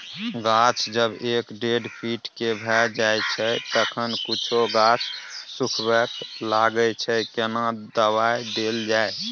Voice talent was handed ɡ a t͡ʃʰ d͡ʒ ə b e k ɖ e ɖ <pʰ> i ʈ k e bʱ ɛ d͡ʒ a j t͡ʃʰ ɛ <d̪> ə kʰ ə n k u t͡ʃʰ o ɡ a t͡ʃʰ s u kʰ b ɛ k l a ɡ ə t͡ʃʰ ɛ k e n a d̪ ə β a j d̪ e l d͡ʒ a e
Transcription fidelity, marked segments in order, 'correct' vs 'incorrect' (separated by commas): correct, incorrect